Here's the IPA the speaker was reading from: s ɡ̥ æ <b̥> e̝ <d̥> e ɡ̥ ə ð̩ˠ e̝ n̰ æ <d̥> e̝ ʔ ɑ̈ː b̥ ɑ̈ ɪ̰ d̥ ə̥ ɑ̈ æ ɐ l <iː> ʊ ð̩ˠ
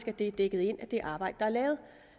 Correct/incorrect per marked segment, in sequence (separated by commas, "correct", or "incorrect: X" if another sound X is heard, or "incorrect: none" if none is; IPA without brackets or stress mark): incorrect: d̥, correct, correct, incorrect: ɛː